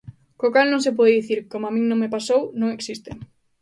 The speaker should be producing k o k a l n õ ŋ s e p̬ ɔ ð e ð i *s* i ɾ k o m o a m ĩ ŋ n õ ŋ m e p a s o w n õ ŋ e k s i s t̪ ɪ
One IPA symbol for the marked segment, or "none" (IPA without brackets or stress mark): θ